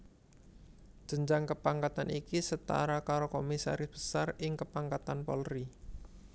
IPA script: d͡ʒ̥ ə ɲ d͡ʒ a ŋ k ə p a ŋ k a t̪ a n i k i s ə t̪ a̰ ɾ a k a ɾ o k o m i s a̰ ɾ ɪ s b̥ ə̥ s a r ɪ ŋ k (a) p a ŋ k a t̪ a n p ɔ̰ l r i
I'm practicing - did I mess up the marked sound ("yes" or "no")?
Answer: yes